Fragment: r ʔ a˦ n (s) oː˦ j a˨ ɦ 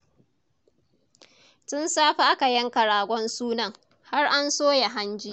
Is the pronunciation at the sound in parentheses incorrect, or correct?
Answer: correct